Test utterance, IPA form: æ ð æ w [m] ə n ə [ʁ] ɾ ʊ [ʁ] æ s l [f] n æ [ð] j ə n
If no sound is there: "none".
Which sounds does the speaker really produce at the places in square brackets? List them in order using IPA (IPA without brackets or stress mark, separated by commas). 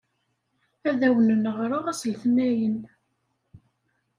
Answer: n, ʁ, ʁ, θ, none